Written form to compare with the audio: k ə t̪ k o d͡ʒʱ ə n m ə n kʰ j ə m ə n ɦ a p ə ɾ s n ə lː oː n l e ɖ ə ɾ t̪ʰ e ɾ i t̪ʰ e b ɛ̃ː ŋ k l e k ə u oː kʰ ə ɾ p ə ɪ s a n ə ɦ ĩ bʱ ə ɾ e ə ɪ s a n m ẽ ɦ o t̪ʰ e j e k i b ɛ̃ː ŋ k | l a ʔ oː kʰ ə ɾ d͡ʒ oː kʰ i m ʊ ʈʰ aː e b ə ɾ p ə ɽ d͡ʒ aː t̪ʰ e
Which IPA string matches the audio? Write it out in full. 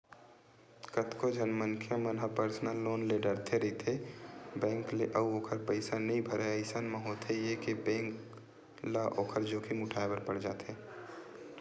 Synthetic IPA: k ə t̪ k o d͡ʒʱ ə n m ə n kʰ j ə m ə n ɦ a p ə ɾ s n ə lː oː n l e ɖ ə ɾ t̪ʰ e ɾ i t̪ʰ e b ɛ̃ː ŋ k l e ʔ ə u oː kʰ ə ɾ p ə ɪ s a n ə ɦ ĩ bʱ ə ɾ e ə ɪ s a n m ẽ ɦ o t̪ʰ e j e k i b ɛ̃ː ŋ k | l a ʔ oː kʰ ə ɾ d͡ʒ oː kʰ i m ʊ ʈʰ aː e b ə ɾ p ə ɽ d͡ʒ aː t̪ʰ e